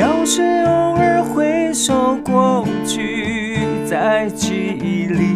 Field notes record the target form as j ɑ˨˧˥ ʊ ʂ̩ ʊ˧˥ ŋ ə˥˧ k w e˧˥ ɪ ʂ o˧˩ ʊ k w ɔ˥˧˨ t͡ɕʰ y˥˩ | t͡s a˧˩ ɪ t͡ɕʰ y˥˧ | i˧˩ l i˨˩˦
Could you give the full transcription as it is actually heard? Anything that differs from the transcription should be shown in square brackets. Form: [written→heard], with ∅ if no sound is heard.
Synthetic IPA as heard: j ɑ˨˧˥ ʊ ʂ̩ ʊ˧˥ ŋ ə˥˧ [k→x] w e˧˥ ɪ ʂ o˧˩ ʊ k w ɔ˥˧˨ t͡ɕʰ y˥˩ | t͡s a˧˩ ɪ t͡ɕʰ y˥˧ | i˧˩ l [i˨˩˦→i˧˩]